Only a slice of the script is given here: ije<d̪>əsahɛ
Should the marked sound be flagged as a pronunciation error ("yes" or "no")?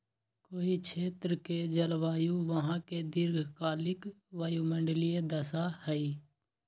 no